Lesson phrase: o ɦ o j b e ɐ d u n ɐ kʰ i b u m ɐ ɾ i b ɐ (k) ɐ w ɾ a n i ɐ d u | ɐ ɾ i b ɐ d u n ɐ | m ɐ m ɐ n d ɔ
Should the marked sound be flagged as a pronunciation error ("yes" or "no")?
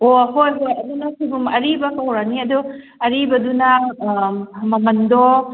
no